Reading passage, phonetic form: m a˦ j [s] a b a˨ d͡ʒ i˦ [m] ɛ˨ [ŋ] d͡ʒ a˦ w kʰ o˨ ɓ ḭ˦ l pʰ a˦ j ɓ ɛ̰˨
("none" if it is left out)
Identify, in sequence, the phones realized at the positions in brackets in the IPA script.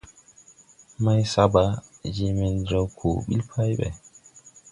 s, m, n

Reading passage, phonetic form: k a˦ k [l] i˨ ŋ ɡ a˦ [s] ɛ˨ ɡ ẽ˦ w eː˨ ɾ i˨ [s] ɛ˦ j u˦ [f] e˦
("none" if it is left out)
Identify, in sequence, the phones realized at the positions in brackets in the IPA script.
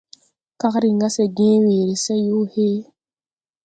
ɾ, s, s, h

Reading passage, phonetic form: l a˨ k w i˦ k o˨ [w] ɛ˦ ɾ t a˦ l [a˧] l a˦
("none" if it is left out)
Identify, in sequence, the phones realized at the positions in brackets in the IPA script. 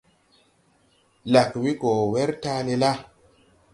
w, e˧

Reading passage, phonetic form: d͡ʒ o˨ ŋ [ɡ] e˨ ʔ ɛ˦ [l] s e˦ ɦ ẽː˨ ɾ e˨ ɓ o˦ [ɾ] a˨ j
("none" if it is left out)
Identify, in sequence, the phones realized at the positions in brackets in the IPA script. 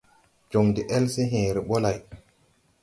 d, l, l

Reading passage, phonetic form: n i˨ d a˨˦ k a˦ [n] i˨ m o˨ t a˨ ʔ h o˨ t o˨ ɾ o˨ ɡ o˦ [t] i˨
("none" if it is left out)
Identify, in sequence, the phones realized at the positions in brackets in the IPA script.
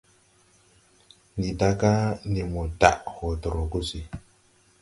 n, s

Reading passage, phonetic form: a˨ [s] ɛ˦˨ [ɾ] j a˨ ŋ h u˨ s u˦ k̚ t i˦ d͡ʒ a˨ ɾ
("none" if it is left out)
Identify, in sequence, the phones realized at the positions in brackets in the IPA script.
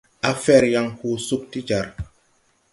f, ɾ

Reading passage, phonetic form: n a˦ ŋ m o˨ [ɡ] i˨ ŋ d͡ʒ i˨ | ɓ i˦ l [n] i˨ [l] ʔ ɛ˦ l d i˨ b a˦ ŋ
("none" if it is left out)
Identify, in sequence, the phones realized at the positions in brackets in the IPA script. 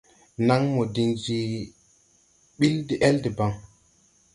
d, d, none

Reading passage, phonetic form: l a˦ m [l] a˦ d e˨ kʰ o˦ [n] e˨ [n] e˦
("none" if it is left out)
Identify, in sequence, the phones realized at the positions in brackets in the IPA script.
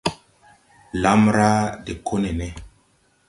ɾ, n, n

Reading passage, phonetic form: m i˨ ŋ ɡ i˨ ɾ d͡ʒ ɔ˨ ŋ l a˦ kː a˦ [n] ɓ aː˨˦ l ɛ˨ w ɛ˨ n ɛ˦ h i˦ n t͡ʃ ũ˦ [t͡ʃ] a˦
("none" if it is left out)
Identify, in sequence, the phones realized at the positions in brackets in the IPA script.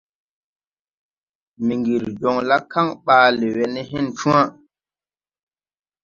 ŋ, none

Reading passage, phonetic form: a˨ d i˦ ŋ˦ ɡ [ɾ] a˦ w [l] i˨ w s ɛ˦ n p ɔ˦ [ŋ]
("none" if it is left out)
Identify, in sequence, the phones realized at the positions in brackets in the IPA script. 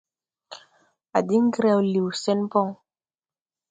ɾ, l, ŋ

